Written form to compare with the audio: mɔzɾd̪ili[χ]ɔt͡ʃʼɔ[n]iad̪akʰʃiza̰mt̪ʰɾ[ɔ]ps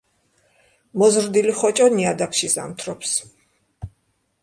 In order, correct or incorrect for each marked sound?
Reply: correct, correct, correct

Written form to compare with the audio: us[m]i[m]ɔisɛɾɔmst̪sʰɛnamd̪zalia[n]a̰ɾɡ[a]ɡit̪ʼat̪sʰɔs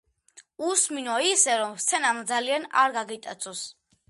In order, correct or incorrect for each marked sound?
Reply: correct, incorrect: n, correct, correct

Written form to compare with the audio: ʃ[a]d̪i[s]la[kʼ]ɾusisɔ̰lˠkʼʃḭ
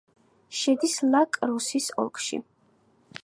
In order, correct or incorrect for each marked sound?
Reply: incorrect: ɛ, correct, correct

